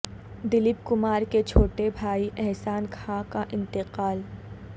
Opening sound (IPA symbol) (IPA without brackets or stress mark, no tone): d̪